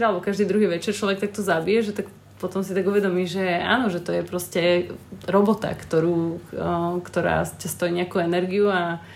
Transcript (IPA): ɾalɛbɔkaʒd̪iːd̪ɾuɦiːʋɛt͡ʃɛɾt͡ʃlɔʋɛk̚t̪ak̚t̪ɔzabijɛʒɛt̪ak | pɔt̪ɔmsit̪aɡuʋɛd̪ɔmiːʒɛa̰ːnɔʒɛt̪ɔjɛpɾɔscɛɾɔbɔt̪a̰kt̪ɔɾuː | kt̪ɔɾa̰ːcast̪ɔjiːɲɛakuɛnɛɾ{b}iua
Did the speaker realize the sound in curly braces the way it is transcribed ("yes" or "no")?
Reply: no